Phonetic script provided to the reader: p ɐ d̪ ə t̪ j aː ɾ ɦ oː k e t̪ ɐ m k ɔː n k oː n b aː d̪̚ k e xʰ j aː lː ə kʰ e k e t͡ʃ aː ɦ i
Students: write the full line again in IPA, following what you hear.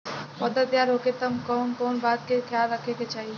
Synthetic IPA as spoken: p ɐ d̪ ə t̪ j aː ɾ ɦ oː k e t̪ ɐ m k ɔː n k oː n b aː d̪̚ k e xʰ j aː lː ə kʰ e k e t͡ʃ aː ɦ i